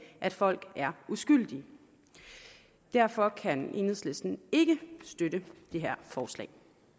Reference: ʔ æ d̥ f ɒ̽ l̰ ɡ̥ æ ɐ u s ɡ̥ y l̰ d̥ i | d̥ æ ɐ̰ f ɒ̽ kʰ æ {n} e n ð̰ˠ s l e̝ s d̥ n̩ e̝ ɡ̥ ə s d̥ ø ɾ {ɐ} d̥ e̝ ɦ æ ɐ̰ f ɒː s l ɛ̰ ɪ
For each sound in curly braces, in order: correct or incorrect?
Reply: correct, incorrect: ə

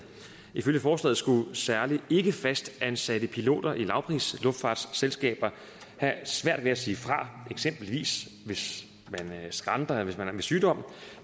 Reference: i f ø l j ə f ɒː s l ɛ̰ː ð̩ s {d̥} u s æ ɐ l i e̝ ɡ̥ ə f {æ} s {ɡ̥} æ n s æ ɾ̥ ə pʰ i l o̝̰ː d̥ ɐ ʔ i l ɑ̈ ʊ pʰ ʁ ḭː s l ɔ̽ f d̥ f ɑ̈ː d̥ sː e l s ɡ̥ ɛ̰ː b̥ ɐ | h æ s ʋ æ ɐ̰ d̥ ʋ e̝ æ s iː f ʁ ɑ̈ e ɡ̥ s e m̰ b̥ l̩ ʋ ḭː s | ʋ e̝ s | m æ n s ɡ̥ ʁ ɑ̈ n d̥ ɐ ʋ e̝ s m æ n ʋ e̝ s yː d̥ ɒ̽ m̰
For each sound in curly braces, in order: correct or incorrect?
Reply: incorrect: ɡ̥, correct, incorrect: d̥

